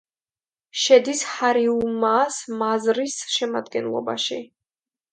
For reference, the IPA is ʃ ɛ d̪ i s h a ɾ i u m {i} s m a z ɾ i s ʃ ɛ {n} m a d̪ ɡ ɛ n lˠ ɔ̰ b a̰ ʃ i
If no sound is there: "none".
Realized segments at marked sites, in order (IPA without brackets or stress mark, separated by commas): a, none